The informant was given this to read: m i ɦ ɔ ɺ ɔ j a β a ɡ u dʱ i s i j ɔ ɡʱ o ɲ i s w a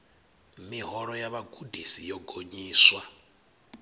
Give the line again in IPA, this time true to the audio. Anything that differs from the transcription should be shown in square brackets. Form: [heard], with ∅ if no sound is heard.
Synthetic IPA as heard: m i ɦ ɔ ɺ ɔ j a β a ɡ u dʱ i s i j ɔ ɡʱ o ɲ [iː] s w a